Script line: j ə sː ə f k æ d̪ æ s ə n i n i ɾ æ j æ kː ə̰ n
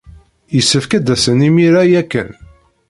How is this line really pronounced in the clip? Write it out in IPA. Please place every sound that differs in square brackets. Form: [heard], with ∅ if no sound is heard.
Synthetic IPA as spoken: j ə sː ə f k æ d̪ æ s ə n i [m] i ɾ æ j æ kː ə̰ n

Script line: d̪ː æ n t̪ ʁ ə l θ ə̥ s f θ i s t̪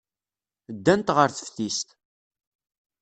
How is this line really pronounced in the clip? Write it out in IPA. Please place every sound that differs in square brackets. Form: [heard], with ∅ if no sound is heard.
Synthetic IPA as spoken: d̪ː æ n t̪ ʁ ə [ɾ] θ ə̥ [∅] f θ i s t̪

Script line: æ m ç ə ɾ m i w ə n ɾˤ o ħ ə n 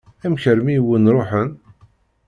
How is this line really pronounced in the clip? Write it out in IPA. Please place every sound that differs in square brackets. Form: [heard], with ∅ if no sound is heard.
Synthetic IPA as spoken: æ m ç ə ɾ m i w ə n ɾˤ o ħ ə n

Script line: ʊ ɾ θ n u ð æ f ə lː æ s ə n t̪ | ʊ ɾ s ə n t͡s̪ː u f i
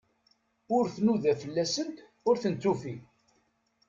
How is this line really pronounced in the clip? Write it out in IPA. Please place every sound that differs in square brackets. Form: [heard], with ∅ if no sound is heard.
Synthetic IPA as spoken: ʊ ɾ θ n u ð æ f ə lː æ s ə n t̪ | ʊ ɾ [θ] ə n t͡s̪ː u f i

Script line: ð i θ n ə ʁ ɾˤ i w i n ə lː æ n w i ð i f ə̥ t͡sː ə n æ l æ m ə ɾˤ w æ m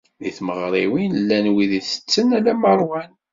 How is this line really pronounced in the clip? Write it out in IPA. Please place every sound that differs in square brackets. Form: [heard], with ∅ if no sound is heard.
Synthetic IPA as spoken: ð i θ [m] ə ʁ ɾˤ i w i n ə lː æ n w i ð i [θ] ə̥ t͡sː ə n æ l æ m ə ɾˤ w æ [n]

